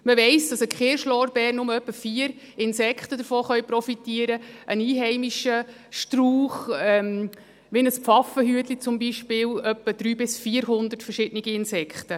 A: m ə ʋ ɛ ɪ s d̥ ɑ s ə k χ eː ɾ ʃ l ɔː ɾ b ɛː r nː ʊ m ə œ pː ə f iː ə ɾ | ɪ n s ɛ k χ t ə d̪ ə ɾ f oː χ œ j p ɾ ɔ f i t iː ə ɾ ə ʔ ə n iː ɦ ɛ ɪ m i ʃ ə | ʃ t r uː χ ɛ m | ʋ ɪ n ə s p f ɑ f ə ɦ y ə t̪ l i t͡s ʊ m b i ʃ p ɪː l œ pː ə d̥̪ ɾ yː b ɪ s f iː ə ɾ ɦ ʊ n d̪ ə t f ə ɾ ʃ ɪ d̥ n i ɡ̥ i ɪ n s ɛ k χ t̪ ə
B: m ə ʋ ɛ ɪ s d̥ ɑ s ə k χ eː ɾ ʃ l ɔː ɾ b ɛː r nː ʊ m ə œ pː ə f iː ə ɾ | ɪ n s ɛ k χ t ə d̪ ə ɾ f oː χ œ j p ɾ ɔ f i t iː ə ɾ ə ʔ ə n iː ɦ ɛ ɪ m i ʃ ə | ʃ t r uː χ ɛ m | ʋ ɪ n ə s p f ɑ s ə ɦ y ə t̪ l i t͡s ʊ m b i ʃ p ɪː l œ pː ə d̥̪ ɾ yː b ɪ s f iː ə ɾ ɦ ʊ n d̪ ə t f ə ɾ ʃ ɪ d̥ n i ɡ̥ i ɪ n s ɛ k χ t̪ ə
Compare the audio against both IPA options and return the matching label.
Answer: A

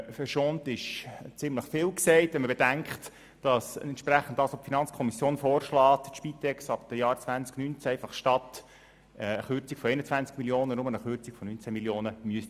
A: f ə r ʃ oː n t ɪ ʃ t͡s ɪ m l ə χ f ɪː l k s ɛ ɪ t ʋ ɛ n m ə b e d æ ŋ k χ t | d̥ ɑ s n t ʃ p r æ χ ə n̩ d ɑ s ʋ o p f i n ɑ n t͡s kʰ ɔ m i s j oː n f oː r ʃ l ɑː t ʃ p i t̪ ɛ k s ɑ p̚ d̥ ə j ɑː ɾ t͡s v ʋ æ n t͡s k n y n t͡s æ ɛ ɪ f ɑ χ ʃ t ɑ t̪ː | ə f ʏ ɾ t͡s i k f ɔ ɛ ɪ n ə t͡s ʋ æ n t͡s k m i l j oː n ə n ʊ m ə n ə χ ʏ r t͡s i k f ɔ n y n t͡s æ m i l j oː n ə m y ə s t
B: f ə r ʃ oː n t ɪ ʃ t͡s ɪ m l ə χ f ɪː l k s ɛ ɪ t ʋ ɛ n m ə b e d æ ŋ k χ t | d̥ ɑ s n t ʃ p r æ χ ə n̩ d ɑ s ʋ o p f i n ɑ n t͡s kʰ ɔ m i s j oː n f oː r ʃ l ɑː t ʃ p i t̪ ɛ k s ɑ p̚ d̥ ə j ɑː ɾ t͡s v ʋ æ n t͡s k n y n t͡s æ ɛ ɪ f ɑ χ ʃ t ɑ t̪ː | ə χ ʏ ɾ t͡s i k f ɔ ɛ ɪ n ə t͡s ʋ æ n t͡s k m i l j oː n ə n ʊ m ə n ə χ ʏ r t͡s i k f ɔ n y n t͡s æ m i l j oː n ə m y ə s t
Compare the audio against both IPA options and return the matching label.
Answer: B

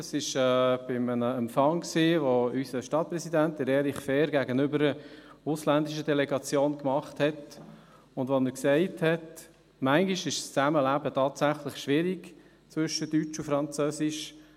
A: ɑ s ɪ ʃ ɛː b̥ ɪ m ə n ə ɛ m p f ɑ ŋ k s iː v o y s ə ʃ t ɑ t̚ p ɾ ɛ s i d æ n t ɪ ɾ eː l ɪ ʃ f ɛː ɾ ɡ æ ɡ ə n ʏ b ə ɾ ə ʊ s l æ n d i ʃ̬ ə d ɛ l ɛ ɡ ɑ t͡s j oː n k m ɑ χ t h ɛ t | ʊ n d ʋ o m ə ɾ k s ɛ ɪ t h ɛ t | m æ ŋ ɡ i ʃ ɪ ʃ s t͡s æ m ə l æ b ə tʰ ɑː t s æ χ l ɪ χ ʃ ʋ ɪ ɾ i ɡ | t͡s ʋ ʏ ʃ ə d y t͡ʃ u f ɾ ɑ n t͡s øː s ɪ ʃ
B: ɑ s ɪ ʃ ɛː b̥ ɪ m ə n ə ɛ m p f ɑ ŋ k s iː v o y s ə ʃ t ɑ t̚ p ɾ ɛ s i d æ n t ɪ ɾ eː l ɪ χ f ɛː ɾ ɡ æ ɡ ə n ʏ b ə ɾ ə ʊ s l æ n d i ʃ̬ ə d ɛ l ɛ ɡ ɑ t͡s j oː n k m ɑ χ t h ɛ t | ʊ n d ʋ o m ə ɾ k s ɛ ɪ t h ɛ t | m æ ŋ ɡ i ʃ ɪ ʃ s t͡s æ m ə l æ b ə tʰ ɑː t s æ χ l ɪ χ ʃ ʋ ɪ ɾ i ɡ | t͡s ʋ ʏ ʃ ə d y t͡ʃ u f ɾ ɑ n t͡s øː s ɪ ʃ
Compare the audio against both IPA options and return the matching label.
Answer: B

